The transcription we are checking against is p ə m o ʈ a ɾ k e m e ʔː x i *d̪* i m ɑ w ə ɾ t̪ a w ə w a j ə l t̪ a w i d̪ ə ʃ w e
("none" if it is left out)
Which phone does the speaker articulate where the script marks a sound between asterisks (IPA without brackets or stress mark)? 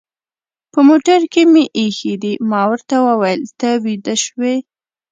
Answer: d̪